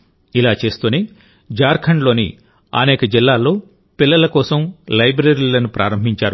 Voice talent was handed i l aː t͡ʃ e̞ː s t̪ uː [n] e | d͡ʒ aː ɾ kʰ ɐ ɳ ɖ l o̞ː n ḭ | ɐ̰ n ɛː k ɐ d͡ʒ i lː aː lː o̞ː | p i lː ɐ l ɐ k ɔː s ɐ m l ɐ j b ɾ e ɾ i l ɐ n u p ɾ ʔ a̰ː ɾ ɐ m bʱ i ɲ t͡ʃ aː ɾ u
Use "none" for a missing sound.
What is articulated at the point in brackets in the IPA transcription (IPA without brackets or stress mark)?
n